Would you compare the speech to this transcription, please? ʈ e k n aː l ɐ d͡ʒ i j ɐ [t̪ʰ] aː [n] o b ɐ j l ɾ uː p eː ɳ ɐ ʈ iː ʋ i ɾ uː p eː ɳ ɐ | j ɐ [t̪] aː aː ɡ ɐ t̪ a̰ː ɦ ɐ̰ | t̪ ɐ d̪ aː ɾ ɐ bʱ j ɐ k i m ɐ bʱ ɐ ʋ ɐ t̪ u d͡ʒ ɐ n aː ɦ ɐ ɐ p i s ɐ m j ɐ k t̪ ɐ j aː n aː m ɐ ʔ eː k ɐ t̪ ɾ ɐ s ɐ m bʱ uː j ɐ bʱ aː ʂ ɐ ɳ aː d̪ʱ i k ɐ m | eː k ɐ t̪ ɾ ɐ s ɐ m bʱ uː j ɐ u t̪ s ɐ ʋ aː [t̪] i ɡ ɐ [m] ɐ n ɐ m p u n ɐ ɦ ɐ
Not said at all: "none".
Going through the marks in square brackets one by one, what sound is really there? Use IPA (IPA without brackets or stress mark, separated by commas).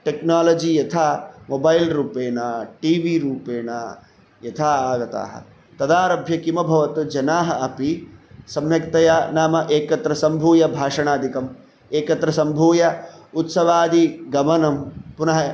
t̪ʰ, m, t̪ʰ, d̪, m